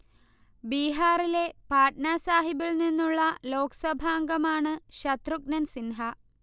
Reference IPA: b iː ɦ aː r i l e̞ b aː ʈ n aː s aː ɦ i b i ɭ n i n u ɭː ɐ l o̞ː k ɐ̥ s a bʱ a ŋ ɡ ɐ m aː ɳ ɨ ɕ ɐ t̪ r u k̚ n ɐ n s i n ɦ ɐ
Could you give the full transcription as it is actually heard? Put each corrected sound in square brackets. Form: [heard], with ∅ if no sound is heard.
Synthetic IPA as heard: b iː ɦ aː r i l e̞ [p] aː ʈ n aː s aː ɦ i b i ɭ n i [nː] u ɭː ɐ l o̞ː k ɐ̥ s [ɐ] bʱ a ŋ ɡ ɐ m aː ɳ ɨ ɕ ɐ t̪ r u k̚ n ɐ n s i n ɦ ɐ